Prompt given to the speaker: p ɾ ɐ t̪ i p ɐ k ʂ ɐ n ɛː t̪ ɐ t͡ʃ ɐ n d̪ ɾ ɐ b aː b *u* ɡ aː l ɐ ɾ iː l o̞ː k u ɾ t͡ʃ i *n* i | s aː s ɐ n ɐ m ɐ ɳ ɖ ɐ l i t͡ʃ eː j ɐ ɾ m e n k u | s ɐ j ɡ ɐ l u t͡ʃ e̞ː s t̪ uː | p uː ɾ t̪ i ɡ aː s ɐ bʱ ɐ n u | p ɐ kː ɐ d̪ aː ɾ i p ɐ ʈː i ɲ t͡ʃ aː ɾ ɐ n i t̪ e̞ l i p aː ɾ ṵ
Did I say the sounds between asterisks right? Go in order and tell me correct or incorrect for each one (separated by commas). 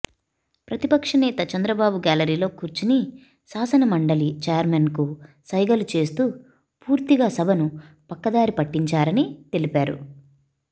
correct, correct